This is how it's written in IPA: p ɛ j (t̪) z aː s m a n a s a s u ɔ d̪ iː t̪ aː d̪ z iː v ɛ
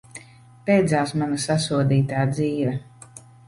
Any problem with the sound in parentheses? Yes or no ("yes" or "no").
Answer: yes